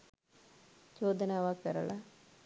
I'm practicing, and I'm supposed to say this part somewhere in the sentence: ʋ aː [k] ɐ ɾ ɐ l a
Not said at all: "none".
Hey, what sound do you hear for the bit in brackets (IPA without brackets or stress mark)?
k